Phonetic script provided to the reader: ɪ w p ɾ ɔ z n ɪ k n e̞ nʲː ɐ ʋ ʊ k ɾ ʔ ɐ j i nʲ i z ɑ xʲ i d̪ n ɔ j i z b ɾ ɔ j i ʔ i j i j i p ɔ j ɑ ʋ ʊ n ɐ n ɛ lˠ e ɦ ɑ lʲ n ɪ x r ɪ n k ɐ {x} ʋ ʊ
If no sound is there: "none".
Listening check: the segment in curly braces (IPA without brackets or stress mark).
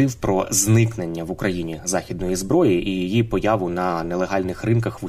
x